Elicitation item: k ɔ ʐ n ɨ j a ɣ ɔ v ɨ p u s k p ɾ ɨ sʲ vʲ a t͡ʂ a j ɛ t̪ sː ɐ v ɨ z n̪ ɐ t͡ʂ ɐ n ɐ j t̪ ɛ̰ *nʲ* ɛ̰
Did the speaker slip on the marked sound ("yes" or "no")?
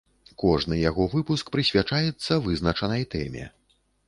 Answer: yes